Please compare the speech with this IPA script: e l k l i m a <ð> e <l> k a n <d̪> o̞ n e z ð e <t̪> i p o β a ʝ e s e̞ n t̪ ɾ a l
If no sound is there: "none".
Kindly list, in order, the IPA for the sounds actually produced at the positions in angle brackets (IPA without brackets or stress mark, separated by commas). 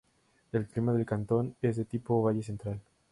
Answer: ð, l, t̪, t̪